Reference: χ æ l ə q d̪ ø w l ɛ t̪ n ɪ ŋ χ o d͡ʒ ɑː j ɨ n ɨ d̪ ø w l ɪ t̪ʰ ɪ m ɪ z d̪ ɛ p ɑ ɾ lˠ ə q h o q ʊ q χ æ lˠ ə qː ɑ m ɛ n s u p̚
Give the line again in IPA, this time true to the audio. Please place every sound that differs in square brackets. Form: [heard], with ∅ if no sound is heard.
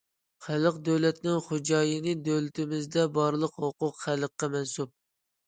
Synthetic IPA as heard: χ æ l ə q d̪ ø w l ɛ t̪ n ɪ ŋ χ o d͡ʒ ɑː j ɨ n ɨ d̪ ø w l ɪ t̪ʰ ɪ m ɪ z d̪ ɛ [b] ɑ ɾ lˠ ə q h o q ʊ q χ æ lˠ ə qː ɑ m ɛ n s u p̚

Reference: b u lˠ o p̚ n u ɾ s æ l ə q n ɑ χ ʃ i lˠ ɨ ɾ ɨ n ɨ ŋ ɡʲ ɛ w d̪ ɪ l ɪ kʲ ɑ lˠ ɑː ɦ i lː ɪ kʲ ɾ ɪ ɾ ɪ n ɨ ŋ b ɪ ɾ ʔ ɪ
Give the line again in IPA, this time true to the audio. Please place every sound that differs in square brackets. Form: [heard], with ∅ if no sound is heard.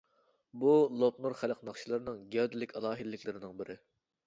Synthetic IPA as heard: b u lˠ o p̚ n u ɾ [χ] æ l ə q n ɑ χ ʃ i lˠ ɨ ɾ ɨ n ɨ ŋ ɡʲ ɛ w d̪ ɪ l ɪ kʲ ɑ lˠ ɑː ɦ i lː ɪ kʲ [l] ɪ ɾ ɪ n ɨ ŋ b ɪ ɾ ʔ ɪ

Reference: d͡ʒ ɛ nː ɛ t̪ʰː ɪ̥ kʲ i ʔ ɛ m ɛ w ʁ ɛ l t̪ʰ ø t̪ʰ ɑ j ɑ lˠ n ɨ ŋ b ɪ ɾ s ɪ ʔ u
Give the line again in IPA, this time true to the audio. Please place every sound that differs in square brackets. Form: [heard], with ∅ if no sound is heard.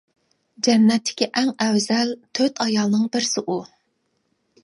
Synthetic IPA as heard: d͡ʒ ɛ nː ɛ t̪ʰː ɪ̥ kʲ i ʔ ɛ [ŋ] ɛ w [z] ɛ l t̪ʰ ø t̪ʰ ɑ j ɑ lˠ n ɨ ŋ b ɪ ɾ s ɪ ʔ u

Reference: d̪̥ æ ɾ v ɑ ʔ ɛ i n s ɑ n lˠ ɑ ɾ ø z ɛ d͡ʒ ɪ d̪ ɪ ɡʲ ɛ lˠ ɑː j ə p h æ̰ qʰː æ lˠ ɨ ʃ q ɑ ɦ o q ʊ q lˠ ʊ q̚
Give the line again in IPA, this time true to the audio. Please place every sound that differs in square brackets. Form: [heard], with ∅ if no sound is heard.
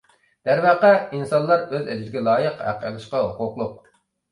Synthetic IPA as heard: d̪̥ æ ɾ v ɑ [q] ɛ i n s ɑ n lˠ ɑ ɾ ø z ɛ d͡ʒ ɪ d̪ ɪ ɡʲ ɛ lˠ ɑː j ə [q] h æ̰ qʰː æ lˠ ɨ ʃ q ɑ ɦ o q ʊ q lˠ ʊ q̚

